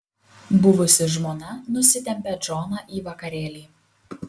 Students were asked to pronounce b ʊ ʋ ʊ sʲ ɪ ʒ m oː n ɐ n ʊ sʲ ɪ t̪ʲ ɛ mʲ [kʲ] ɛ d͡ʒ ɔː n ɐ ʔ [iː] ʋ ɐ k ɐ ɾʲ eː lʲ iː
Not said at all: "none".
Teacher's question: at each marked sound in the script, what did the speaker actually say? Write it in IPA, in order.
pʲ, iː

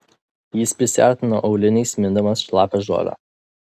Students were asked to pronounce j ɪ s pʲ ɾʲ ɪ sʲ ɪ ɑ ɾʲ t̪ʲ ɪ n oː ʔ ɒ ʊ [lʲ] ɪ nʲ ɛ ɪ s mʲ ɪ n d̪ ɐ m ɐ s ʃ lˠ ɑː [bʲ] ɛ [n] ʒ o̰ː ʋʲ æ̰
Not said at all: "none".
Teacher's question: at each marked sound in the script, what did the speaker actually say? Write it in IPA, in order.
lʲ, pʲ, none

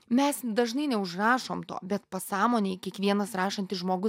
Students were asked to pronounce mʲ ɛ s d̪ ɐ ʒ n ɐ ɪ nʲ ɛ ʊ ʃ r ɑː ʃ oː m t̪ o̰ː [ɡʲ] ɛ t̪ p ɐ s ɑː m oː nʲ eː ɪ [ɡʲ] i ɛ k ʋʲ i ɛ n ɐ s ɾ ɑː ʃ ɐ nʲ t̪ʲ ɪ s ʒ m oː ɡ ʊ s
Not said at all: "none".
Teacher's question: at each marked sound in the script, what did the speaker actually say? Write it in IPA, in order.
bʲ, kʲ

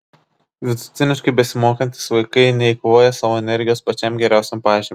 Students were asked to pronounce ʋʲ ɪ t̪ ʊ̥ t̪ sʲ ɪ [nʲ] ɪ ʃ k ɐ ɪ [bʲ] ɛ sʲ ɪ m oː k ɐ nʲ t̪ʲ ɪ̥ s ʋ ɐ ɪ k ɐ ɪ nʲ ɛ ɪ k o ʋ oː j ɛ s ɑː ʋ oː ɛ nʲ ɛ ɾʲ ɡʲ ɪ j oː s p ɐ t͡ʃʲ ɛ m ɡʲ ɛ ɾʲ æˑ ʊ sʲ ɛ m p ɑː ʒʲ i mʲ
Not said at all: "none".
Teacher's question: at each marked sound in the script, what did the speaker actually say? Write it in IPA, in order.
nʲ, bʲ

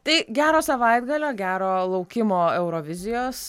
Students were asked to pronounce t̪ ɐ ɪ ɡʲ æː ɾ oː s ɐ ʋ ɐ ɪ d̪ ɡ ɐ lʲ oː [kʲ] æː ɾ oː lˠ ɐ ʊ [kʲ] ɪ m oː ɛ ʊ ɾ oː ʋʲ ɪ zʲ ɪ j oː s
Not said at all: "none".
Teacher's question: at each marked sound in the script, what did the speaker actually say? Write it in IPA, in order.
ɡʲ, kʲ

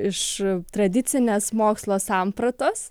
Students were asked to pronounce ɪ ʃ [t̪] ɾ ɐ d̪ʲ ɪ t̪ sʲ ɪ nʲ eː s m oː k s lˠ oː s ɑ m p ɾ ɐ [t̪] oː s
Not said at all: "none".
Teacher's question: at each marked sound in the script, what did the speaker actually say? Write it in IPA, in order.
t̪, t̪

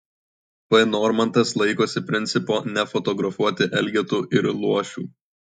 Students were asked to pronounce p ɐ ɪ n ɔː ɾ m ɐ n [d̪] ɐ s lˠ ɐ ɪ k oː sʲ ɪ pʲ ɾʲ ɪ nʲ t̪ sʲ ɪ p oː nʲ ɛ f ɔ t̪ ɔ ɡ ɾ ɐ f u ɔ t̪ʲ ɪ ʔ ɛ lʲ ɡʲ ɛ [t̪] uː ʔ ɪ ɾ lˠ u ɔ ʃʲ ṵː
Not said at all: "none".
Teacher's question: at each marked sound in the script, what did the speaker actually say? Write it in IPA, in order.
t̪, t̪

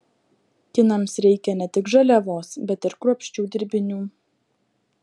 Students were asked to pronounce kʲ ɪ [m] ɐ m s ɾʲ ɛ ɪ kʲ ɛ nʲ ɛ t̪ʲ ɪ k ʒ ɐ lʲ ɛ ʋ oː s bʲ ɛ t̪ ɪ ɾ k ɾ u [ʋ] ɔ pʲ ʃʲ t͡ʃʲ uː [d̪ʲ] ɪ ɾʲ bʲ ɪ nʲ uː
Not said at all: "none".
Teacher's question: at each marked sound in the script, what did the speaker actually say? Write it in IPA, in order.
n, none, d̪ʲ

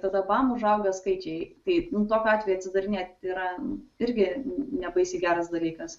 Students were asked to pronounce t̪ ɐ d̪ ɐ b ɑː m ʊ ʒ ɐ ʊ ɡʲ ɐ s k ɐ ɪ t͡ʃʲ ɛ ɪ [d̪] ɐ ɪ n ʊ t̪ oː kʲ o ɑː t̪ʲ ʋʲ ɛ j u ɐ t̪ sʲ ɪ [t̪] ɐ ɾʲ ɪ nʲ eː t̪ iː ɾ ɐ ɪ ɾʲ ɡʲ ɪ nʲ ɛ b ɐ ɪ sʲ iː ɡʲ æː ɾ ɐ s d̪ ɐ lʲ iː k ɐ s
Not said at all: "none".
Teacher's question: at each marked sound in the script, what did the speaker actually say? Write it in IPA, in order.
t̪, d̪

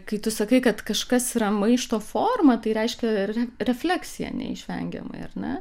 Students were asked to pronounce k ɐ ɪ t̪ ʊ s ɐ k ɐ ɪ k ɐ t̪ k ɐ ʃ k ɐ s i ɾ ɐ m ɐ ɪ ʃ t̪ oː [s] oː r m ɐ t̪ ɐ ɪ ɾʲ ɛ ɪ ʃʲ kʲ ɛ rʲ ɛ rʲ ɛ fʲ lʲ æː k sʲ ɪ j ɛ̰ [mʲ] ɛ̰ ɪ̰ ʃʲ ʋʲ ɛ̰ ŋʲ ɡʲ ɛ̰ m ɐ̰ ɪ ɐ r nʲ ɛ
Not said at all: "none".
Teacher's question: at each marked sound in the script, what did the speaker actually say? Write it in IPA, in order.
f, nʲ

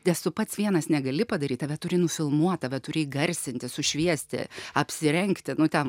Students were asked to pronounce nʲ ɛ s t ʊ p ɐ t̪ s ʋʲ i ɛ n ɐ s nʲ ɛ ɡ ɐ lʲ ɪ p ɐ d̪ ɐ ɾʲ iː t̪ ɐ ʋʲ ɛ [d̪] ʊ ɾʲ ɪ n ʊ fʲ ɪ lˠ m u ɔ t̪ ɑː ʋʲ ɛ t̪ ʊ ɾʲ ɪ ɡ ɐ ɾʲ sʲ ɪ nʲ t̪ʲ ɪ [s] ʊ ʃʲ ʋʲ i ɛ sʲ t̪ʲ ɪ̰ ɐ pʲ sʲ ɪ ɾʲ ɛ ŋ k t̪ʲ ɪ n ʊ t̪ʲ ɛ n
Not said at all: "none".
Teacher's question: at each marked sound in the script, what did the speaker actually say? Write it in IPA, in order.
t̪, s

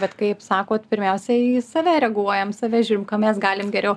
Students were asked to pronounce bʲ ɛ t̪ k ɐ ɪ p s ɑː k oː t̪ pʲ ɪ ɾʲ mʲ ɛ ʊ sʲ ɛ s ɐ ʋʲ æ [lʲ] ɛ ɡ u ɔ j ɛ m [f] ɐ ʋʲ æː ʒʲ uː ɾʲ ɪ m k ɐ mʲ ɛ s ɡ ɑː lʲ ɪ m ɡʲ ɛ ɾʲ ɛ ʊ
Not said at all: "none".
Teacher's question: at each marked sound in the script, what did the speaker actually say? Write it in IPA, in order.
ɾʲ, s

